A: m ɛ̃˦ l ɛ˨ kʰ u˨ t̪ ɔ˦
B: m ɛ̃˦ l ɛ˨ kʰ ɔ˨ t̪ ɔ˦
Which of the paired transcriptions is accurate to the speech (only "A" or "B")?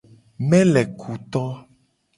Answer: A